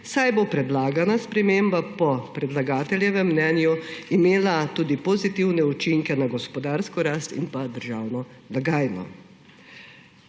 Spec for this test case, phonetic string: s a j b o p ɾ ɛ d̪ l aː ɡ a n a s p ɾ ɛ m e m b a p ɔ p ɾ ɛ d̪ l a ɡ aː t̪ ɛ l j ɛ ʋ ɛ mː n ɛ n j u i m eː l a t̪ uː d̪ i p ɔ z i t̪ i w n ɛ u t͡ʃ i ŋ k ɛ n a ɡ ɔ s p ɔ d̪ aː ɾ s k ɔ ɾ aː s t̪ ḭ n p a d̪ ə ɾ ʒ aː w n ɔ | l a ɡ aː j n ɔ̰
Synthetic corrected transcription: s a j b o p ɾ ɛ d̪ l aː ɡ a n a s p ɾ ɛ m e m b a p ɔ p ɾ ɛ d̪ l a ɡ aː t̪ ɛ l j ɛ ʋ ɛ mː n ɛ n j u i m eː l a t̪ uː d̪ i p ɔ z i t̪ i w n ɛ u t͡ʃ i ŋ k ɛ n a ɡ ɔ s p ɔ d̪ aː ɾ s k ɔ ɾ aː s t̪ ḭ n p a d̪ ə ɾ ʒ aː w n ɔ | l a ɡ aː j n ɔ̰